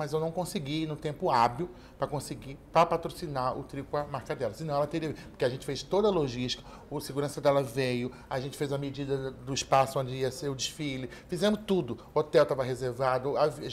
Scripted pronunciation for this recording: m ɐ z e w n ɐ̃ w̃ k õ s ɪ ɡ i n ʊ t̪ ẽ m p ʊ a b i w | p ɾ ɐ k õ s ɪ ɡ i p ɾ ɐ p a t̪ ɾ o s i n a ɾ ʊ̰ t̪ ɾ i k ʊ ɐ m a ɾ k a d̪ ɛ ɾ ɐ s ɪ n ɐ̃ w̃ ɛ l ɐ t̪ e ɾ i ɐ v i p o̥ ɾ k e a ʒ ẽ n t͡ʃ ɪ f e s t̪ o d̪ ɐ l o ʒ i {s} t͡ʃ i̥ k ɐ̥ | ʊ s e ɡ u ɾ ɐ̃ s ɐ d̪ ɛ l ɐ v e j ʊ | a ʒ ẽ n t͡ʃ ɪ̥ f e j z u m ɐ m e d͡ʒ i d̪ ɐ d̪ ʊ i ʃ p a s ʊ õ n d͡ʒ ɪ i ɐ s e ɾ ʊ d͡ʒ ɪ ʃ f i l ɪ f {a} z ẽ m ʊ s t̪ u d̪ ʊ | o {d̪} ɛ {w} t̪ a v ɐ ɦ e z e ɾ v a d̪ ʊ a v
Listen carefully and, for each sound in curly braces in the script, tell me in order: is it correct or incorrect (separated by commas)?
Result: incorrect, incorrect, incorrect, correct